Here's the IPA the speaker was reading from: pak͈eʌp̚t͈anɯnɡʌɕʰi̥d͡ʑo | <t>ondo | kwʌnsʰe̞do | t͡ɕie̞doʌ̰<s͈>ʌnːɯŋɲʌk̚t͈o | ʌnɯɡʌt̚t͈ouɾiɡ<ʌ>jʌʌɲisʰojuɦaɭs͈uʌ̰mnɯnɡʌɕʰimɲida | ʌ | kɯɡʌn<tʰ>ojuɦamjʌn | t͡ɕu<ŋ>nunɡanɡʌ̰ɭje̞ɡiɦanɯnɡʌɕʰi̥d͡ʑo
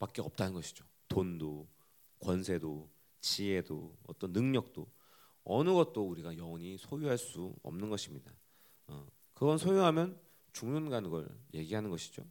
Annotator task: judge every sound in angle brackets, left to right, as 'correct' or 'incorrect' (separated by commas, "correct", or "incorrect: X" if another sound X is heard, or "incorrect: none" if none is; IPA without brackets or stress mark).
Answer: correct, incorrect: t͈, incorrect: a, incorrect: sʰ, correct